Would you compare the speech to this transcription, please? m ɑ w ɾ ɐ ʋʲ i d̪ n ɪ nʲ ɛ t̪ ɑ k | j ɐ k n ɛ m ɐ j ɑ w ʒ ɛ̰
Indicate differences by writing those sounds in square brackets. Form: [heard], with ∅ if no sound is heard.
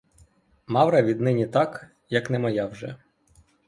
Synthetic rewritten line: m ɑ w ɾ ɐ ʋʲ i d̪ n ɪ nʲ [i] t̪ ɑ k | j ɐ k n ɛ m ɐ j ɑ w ʒ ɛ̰

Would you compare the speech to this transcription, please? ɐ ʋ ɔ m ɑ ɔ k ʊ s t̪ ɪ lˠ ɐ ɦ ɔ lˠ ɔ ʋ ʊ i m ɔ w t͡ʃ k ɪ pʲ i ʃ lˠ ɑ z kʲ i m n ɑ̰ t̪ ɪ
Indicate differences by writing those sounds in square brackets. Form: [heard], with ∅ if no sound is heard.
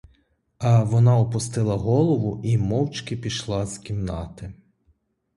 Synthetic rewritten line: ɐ ʋ ɔ [n] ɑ ɔ [p] ʊ s t̪ ɪ lˠ ɐ ɦ ɔ lˠ ɔ ʋ ʊ i m ɔ w t͡ʃ k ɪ pʲ i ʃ lˠ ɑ z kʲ i m n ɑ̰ t̪ ɪ

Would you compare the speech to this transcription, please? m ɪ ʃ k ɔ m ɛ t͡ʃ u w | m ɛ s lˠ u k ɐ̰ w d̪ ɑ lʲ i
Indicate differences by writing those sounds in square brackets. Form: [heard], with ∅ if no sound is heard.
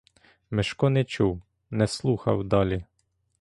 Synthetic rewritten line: m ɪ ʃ k ɔ [n] ɛ t͡ʃ u w | [n] ɛ s lˠ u [x] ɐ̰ w d̪ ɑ lʲ i

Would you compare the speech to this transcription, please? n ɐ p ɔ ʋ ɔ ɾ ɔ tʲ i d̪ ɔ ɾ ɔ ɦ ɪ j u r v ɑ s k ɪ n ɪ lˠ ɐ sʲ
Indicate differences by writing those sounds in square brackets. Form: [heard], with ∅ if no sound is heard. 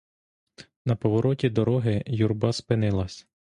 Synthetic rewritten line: n ɐ p ɔ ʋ ɔ ɾ ɔ tʲ i d̪ ɔ ɾ ɔ ɦ ɪ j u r [b] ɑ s [p] ɪ n ɪ lˠ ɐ sʲ

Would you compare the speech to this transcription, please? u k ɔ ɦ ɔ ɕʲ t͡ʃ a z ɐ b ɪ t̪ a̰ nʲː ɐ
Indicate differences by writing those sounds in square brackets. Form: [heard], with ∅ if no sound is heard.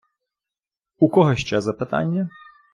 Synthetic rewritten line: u k ɔ ɦ ɔ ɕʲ t͡ʃ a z ɐ [p] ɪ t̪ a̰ nʲː ɐ

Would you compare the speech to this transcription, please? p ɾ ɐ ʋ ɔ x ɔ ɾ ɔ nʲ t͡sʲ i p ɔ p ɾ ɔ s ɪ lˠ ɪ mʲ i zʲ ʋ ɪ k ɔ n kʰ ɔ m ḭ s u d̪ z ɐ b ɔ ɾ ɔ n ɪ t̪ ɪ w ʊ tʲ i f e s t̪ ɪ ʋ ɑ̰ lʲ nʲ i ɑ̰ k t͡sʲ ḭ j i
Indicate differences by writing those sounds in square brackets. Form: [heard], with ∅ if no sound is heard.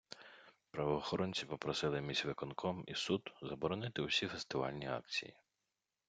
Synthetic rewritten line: p ɾ ɐ ʋ [ɔː] x ɔ ɾ ɔ nʲ t͡sʲ i p ɔ p ɾ ɔ s ɪ lˠ ɪ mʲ i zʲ ʋ ɪ k ɔ n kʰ ɔ m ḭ s u d̪ z ɐ b ɔ ɾ ɔ n ɪ t̪ ɪ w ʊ [sʲ] i f e s t̪ ɪ ʋ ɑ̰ lʲ nʲ i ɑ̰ k t͡sʲ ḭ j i

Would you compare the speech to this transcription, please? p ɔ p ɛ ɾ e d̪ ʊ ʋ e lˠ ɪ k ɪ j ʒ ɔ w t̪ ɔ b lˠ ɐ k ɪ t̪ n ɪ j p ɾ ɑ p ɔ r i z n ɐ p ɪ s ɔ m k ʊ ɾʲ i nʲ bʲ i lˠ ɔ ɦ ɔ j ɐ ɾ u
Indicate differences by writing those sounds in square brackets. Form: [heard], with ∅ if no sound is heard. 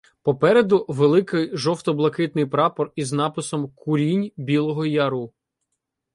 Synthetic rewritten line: p ɔ p ɛ ɾ e d̪ ʊ ʋ e lˠ ɪ k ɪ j ʒ ɔ w t̪ ɔ b lˠ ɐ k ɪ t̪ n ɪ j p ɾ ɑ p ɔ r i z n [ɑ] p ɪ s ɔ m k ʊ ɾʲ i nʲ bʲ i lˠ ɔ ɦ ɔ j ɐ ɾ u

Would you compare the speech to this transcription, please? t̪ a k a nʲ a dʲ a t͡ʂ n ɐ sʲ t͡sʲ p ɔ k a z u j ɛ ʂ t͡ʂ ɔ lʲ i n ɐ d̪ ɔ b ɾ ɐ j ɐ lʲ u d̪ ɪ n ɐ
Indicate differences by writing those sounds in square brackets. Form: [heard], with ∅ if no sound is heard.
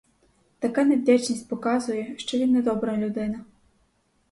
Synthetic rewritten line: t̪ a k a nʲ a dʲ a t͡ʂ n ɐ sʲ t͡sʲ p ɔ k a z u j ɛ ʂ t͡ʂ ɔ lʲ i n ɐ d̪ ɔ b ɾ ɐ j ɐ lʲ u d̪ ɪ n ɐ

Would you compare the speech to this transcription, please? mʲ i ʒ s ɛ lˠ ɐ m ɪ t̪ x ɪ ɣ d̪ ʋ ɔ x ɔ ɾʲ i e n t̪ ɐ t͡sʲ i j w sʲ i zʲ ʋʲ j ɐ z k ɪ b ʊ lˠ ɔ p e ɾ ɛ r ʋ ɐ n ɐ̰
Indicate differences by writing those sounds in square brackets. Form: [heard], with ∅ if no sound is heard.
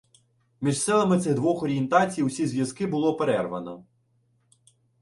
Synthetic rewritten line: mʲ i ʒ s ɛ lˠ ɐ m ɪ t̪ [s] ɪ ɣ d̪ ʋ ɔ x ɔ ɾʲ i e n t̪ [ɑ] t͡sʲ i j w sʲ i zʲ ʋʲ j ɐ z k ɪ b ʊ lˠ ɔ p e ɾ ɛ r ʋ ɐ n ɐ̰

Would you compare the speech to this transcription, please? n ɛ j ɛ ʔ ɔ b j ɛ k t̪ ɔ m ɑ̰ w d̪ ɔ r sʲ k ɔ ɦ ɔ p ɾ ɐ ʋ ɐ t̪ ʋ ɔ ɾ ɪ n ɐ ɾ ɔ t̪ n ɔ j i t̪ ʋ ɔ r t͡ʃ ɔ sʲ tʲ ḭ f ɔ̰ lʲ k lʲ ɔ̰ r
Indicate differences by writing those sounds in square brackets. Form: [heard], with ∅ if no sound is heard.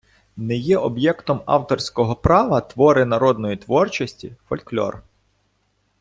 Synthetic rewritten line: n ɛ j ɛ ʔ ɔ b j ɛ k t̪ ɔ m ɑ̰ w [t̪] ɔ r sʲ k ɔ ɦ ɔ p ɾ [ɑ] ʋ ɐ t̪ ʋ ɔ ɾ ɪ n ɐ ɾ ɔ [d̪] n ɔ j i t̪ ʋ ɔ r t͡ʃ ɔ sʲ tʲ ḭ f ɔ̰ lʲ k lʲ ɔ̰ r

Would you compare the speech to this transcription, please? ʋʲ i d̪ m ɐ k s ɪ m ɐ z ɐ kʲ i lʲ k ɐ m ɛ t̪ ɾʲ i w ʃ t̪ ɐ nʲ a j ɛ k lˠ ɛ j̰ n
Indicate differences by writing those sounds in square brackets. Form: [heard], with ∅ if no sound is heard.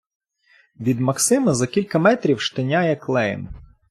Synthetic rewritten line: ʋʲ i d̪ m ɐ k s ɪ m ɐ z ɐ kʲ i lʲ k ɐ m ɛ t̪ ɾʲ i w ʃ t̪ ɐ nʲ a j ɛ k lˠ ɛ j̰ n

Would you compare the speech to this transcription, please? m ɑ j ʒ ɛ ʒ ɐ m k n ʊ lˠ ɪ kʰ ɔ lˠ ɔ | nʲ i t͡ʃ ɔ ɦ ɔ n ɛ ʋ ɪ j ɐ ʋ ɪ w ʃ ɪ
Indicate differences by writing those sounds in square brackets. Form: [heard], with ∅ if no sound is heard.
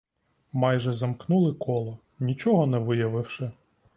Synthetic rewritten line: m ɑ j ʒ ɛ [z] ɐ m k n [u] lˠ ɪ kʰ ɔ lˠ ɔ | nʲ i t͡ʃ ɔ ɦ ɔ n ɛ ʋ ɪ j ɐ ʋ ɪ w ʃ ɪ

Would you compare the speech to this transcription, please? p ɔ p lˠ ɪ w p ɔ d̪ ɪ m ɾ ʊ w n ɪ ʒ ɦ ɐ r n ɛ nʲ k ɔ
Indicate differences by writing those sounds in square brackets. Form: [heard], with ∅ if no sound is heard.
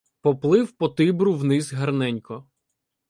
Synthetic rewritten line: p ɔ p lˠ ɪ w p ɔ [t̪] ɪ [b] ɾ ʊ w n ɪ [z] ɦ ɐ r n ɛ nʲ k ɔ

